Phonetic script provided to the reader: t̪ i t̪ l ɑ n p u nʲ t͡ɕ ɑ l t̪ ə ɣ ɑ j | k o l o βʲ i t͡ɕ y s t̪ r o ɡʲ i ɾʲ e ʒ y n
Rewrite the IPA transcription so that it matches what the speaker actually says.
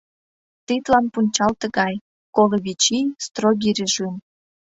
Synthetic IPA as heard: t̪ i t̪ l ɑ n p u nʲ t͡ɕ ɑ l t̪ ə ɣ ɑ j | k o l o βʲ i t͡ɕ i s t̪ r o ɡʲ i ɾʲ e ʒ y n